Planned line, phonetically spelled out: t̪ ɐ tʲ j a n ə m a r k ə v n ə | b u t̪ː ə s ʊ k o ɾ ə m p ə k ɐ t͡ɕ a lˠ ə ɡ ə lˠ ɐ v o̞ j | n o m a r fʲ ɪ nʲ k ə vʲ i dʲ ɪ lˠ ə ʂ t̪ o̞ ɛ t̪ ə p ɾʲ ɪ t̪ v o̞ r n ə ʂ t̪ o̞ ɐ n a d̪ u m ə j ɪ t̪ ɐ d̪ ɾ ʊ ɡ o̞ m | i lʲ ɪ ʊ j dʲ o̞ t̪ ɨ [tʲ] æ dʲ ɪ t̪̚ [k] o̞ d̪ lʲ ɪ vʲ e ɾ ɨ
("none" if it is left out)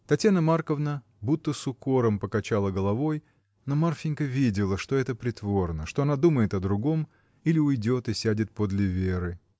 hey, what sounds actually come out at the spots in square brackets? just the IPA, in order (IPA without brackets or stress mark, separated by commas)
sʲ, p